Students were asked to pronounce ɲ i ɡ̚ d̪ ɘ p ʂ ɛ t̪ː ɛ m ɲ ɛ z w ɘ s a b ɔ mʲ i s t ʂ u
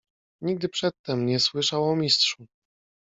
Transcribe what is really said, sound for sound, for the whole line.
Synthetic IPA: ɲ i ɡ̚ d̪ ɘ p ʂ ɛ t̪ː ɛ m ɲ ɛ s w ɘ ʂ a w ɔ mʲ i s t ʂ u